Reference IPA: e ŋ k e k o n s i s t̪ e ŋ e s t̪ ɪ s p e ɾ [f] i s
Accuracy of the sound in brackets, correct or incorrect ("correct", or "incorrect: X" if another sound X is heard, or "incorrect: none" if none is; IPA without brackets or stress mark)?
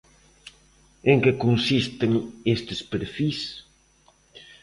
correct